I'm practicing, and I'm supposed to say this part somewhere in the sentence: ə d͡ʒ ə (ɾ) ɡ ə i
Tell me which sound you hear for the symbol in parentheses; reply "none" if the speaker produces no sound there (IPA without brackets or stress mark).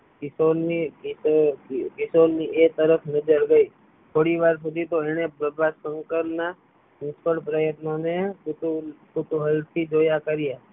ɾ